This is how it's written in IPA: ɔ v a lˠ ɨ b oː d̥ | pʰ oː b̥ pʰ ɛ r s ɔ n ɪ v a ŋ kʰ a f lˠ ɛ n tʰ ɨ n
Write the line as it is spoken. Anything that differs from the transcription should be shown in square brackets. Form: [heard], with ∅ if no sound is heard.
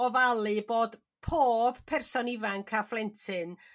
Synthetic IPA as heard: ɔ v a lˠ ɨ b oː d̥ | pʰ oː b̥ pʰ ɛ r s ɔ n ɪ v a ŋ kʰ a f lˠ ɛ n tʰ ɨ n

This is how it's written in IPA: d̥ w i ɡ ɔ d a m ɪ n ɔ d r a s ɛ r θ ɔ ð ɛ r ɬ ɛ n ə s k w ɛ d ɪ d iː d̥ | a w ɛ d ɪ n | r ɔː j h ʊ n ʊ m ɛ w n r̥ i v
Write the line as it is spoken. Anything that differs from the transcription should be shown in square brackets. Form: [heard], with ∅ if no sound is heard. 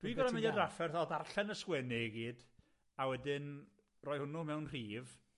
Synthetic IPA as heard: d̥ w i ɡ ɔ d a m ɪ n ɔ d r a [f] ɛ r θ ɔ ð [a] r ɬ ɛ n ə s k w ɛ [n] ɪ [ɡ] iː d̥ | a w ɛ d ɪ n | r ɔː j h ʊ n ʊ m ɛ w n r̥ [iː] v

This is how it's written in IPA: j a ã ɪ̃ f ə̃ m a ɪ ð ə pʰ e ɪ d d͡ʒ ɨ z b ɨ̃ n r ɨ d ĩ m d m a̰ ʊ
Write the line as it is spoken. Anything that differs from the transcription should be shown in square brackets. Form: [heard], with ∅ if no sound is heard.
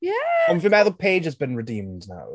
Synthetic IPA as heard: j [æ] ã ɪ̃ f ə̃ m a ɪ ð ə pʰ e ɪ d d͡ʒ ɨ z b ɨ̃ n [ɹ] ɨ d ĩ m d [n] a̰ ʊ

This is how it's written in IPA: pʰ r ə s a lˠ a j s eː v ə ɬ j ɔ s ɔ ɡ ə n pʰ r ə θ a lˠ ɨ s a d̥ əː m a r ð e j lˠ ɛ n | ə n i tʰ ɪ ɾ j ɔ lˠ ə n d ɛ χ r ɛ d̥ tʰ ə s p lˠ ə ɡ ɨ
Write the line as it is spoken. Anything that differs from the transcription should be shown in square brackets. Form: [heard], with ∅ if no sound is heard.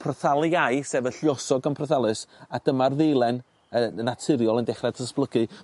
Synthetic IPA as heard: pʰ r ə [θ] a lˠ a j s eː v ə ɬ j ɔ s ɔ ɡ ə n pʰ r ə θ a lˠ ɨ s a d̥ [ə] m a r ð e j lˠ ɛ n | ə n [a] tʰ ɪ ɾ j ɔ lˠ ə n d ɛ χ r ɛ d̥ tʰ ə s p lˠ ə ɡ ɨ

